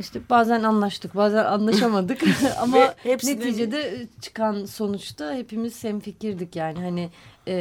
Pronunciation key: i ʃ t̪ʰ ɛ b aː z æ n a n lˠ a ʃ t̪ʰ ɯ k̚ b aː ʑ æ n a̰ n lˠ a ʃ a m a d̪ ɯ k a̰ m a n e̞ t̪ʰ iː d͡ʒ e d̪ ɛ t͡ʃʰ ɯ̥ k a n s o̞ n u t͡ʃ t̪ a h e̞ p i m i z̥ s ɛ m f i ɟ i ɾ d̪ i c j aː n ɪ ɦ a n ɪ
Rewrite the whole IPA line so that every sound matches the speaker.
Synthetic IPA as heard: i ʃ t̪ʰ ɛ b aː z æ n a n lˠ a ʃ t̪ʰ ɯ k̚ b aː z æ n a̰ n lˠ a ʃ a m a d̪ ɯ k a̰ m a n e̞ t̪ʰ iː d͡ʒ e d̪ ɛ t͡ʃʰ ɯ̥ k a n s o̞ n u t͡ʃ t̪ a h e̞ p i m i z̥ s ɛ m f i c i ɾ d̪ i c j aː n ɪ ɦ a n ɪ